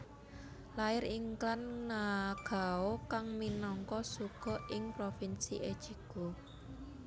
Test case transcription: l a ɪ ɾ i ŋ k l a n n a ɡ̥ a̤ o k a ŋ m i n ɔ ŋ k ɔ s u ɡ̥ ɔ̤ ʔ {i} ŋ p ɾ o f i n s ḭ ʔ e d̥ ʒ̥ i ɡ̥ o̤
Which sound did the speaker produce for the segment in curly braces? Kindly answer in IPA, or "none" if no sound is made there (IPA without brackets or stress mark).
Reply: ɪ